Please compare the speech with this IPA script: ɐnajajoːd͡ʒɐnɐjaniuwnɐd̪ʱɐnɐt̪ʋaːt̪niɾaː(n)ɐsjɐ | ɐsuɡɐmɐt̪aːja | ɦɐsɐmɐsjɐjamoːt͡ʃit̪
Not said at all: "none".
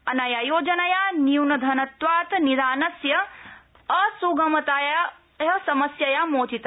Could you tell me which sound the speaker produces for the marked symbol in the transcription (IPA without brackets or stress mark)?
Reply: n